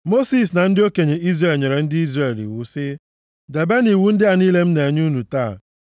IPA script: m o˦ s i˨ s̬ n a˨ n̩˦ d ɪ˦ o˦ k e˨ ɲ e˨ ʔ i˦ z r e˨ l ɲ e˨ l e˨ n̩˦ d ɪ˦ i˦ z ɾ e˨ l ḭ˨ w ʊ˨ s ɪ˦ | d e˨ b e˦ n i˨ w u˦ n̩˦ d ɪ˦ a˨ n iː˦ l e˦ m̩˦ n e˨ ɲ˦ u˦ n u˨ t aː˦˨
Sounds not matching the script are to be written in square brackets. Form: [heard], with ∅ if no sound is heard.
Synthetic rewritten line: m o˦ s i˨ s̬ n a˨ n̩˦ d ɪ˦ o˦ k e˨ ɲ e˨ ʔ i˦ z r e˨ l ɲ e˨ [ɾ] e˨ n̩˦ d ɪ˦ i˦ z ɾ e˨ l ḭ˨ w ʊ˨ s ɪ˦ | d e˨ b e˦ n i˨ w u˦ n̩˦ d ɪ˦ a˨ n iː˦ l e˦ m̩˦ n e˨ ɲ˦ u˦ n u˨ t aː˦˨